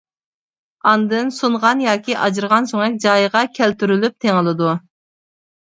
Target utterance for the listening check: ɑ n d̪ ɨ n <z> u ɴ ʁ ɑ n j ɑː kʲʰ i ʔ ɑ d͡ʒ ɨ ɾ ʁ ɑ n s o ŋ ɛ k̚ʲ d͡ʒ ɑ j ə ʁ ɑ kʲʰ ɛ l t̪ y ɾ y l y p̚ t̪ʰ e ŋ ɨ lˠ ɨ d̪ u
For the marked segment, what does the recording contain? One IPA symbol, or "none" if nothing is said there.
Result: s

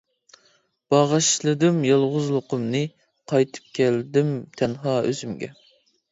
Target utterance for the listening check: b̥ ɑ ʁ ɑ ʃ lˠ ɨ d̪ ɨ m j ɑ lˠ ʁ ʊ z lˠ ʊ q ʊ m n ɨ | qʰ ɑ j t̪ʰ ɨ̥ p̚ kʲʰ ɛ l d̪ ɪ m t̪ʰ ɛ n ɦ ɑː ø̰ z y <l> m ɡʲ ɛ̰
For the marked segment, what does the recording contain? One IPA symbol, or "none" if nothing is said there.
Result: none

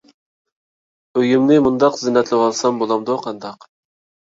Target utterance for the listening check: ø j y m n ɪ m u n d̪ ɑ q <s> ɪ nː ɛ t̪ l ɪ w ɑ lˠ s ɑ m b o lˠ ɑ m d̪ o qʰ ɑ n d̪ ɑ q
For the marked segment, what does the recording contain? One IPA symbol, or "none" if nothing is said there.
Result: z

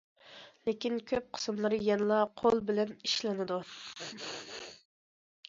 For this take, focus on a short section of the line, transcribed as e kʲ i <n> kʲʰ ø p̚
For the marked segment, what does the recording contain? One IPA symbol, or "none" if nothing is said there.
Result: n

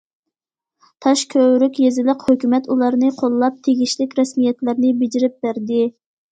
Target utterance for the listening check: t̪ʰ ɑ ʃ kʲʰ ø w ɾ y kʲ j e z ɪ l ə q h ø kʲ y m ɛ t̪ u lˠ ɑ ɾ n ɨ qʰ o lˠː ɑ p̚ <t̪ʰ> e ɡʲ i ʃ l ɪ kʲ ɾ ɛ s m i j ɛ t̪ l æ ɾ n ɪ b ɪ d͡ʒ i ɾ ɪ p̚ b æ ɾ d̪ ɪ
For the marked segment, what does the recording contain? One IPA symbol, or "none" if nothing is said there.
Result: t̪ʰ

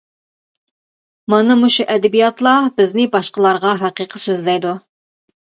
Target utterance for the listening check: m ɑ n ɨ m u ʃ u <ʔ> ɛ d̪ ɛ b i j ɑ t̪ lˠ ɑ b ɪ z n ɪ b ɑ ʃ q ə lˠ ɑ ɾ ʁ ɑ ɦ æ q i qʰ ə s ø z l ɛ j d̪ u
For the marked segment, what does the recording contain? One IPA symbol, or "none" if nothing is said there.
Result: ʔ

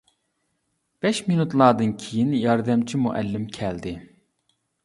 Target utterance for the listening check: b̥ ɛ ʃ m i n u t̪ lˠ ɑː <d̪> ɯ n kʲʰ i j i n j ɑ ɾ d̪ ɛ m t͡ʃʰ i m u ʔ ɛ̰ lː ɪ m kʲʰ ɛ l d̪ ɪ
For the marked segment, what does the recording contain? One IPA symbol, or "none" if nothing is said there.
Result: d̪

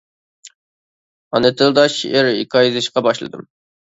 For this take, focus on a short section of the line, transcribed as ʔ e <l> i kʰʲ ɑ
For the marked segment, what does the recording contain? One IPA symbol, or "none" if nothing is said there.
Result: ɾ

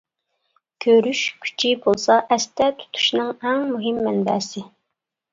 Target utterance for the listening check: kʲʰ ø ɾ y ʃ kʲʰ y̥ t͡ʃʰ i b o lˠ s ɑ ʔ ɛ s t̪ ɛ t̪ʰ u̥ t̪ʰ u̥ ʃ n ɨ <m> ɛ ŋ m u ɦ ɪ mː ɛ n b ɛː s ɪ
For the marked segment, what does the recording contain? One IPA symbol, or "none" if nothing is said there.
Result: ŋ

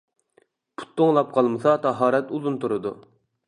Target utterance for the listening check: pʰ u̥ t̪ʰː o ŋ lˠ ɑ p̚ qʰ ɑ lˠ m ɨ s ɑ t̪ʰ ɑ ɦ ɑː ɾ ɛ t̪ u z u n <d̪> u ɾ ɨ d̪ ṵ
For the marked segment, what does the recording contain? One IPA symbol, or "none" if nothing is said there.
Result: t̪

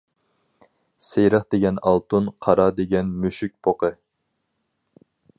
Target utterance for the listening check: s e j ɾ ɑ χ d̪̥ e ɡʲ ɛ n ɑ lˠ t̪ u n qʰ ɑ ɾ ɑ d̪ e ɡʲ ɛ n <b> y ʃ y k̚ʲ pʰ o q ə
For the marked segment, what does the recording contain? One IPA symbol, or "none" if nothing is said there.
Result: m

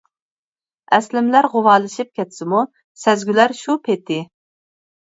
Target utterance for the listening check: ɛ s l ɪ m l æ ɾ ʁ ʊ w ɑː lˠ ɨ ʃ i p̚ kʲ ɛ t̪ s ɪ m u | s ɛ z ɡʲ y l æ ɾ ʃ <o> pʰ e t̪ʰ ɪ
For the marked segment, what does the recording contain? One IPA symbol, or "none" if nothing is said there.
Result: u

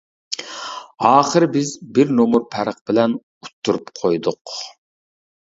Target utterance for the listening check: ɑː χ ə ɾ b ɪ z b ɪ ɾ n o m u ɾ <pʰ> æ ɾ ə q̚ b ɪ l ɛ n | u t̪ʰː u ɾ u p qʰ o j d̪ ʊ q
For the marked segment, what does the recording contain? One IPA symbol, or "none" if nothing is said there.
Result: pʰ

